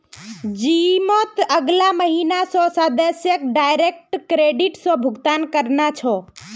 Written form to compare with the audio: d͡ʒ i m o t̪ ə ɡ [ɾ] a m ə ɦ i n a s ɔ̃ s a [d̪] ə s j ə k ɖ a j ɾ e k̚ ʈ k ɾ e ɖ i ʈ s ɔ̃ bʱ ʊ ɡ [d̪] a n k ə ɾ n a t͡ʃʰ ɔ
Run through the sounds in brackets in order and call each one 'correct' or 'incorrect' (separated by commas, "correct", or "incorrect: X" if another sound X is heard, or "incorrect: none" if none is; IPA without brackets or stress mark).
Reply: incorrect: l, correct, incorrect: t̪